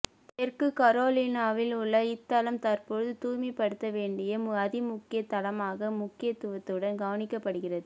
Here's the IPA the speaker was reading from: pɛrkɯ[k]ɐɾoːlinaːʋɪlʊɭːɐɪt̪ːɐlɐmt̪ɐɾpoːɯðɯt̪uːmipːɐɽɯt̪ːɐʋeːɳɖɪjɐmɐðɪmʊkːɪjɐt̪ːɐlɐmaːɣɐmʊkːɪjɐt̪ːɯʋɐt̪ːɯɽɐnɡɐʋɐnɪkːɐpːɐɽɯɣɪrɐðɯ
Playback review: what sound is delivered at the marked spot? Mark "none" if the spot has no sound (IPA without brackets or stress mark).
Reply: k